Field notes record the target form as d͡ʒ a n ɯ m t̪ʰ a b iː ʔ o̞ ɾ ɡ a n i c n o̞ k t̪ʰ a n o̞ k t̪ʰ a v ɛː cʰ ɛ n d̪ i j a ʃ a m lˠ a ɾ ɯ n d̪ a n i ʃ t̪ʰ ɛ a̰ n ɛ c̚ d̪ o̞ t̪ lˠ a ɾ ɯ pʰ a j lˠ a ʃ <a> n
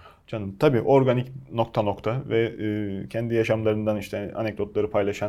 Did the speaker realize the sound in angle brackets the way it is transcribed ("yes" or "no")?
yes